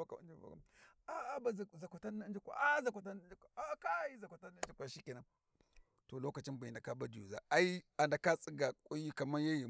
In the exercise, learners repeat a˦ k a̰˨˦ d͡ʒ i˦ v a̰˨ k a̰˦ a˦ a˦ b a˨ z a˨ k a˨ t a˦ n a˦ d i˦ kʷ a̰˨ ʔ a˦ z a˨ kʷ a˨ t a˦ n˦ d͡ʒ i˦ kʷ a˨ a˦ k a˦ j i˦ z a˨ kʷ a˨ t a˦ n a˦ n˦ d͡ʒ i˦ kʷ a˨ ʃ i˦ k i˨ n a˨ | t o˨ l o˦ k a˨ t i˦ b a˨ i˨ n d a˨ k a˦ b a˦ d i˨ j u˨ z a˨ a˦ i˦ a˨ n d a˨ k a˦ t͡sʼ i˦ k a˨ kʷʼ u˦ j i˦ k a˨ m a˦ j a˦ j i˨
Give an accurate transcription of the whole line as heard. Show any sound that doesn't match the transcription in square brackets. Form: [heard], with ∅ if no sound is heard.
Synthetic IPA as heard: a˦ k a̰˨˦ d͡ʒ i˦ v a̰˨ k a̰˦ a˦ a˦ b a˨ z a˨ k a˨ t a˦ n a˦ [d͡ʒ] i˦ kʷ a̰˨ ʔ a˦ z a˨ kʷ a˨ t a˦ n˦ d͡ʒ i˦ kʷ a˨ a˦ k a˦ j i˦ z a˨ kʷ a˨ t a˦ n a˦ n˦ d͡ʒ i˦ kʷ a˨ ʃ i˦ k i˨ n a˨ | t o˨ l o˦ k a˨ [t͡ʃ] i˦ b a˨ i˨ n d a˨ k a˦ b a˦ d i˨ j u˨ z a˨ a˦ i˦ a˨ n d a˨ k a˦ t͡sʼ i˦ [ɡ] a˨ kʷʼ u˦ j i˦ k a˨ m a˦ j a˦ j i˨